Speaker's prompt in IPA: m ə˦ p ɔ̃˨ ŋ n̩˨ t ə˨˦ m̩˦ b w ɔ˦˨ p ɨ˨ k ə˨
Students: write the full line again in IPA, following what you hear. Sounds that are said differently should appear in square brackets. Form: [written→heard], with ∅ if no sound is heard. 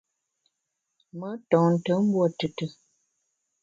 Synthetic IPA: m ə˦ [p→t] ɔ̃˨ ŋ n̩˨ t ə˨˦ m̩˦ b w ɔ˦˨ [p→t] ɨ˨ [k→t] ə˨

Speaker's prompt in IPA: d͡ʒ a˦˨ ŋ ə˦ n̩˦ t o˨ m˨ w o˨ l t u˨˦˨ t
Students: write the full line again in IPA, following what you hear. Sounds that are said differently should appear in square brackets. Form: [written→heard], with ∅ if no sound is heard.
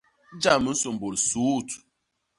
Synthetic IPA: d͡ʒ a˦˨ [ŋ→m] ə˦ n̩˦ [t→s] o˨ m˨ [w→b] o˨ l [t→s] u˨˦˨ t

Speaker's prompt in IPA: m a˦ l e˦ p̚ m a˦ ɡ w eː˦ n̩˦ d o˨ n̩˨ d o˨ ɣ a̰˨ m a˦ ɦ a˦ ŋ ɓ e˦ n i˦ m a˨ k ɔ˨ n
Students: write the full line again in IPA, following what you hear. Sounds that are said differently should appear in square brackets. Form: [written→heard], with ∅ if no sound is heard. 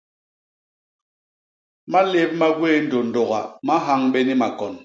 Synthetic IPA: m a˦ l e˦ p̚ m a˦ ɡ w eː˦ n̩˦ d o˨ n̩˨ d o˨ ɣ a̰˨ m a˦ ɦ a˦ ŋ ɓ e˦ n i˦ m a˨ k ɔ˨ n

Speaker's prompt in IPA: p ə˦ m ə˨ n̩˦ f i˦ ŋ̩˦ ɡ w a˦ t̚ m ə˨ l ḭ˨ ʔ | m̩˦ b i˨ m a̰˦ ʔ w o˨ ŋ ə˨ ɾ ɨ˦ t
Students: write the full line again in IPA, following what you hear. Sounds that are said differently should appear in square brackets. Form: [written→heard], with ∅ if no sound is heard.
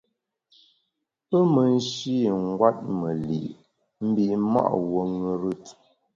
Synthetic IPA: p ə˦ m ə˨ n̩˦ [f→ʃ] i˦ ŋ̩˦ ɡ w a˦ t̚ m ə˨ l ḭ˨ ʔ | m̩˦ b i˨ m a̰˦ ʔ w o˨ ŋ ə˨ ɾ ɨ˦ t

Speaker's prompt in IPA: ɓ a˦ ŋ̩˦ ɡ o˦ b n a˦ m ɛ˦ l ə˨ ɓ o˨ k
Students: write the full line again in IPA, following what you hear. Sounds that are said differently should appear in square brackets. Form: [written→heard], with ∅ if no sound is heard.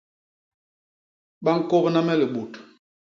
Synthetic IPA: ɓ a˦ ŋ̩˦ [ɡ→k] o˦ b n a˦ m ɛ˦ l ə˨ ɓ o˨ [k→t]

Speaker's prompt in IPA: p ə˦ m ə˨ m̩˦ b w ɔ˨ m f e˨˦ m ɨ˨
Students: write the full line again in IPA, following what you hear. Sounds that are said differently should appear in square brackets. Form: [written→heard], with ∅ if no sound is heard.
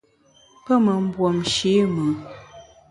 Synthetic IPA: p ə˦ m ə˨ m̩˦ b w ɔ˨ m [f→ʃ] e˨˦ m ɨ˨

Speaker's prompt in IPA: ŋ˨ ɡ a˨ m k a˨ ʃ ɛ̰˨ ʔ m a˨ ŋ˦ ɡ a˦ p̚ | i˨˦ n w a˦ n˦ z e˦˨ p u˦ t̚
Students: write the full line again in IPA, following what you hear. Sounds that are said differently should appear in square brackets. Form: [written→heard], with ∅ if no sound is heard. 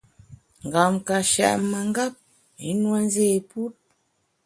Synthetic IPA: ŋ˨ ɡ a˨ m k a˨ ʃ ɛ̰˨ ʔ m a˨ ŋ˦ ɡ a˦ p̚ | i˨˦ n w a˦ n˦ z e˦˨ p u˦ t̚

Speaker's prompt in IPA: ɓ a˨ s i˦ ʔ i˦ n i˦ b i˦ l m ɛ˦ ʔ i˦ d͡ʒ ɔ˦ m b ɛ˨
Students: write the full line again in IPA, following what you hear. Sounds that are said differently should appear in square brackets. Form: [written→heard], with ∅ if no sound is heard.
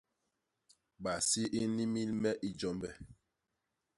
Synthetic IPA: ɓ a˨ s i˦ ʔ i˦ n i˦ [b→m] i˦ l m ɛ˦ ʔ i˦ d͡ʒ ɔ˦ m b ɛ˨

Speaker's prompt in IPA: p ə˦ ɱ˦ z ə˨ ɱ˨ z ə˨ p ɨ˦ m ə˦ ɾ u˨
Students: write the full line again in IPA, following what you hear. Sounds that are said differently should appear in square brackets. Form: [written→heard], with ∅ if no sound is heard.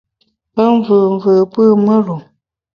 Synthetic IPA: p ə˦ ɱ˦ [z→v] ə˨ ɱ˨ [z→v] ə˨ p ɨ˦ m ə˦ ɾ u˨

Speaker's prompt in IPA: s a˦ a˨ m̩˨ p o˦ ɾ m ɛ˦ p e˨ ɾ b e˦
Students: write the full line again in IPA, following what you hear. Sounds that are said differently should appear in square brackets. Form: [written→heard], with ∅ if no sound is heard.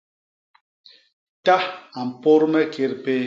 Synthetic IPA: [s→t] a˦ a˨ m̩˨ p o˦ ɾ m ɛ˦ [p→k] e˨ ɾ [b→p] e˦

